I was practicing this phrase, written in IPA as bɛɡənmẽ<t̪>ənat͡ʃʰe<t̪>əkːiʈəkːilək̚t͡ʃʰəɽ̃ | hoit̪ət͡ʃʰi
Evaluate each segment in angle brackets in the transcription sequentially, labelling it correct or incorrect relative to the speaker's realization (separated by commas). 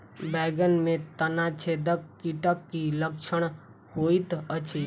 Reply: correct, incorrect